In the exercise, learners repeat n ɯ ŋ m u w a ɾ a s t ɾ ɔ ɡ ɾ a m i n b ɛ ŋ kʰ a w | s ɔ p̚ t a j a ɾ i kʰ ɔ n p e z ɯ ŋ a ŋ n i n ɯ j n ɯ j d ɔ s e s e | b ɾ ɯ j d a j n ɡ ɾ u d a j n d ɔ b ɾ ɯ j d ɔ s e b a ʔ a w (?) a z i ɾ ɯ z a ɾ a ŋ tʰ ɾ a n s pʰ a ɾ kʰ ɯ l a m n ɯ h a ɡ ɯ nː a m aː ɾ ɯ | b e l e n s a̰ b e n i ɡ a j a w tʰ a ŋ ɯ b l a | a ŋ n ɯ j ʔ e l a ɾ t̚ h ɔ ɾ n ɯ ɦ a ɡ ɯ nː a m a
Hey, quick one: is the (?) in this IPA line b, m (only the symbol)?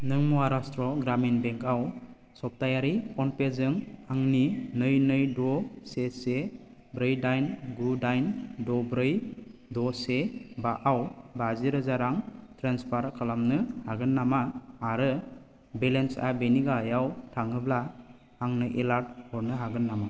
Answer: b